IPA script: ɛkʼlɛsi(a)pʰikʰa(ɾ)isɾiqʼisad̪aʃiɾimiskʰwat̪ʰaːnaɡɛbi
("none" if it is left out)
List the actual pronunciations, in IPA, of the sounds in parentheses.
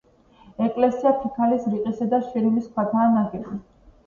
a, l

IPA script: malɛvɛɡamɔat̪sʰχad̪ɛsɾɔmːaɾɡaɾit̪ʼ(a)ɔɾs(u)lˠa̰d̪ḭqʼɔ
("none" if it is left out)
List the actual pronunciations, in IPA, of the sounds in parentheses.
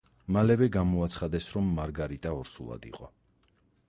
a, u

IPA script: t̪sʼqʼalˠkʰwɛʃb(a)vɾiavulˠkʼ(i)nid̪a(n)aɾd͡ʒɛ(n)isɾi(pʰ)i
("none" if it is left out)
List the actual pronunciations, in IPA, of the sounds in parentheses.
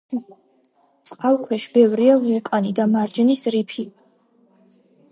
ɛ, a, m, n, pʰ

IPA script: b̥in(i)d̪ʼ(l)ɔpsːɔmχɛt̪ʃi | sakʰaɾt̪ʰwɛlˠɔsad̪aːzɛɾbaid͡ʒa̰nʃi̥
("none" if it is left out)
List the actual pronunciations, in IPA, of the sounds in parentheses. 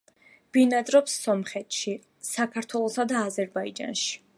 a, ɾ

